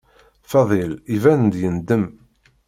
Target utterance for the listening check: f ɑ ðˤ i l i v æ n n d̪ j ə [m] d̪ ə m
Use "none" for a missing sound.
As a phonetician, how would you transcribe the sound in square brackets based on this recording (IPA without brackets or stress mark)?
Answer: n